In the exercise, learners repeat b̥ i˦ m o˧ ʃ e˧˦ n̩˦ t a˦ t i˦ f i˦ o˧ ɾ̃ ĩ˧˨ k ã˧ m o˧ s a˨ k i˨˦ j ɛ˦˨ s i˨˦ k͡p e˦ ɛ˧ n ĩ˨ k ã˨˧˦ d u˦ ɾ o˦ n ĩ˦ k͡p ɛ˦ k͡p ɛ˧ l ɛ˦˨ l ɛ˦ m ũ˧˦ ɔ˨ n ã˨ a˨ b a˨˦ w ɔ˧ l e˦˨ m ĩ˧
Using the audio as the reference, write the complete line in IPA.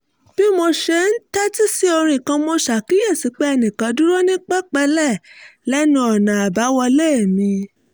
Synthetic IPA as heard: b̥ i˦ m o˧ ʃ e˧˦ n̩˦ t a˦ t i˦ s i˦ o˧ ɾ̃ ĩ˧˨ k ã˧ m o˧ ʃ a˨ k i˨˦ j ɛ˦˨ s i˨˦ k͡p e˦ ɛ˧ n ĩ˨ k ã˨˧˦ d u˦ ɾ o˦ n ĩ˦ k͡p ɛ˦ k͡p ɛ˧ l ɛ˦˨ l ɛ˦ n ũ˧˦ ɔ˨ n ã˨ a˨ b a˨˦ w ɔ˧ l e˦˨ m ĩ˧